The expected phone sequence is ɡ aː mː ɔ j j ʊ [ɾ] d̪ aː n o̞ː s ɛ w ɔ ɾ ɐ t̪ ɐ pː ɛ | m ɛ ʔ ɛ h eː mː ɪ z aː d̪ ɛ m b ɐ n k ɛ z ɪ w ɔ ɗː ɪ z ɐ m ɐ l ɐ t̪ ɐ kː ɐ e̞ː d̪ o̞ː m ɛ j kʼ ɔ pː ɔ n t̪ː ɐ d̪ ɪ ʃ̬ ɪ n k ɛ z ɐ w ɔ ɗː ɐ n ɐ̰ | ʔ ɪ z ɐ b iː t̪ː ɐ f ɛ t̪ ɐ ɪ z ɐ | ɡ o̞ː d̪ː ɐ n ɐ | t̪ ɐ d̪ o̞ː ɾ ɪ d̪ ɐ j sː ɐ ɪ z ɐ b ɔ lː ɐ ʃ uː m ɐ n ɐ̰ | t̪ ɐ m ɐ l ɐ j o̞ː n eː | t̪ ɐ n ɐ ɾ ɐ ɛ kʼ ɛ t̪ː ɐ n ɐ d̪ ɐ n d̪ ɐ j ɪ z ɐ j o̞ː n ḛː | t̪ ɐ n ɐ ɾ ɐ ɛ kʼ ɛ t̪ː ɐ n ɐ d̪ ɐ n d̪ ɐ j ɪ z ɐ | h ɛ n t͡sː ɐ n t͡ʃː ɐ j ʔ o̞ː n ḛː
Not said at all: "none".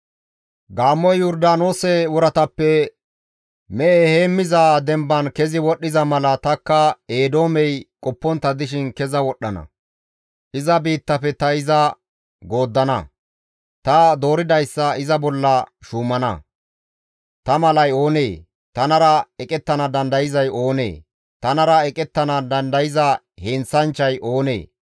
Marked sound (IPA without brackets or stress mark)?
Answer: ɾ